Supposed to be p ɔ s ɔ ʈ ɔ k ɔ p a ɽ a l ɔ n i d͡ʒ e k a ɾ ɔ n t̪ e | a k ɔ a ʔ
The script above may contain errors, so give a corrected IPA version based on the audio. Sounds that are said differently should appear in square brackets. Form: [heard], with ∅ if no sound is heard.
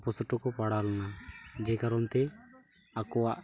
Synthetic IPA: p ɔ s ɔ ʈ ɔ k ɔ p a ɽ a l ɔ n [a] d͡ʒ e k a ɾ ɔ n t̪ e | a k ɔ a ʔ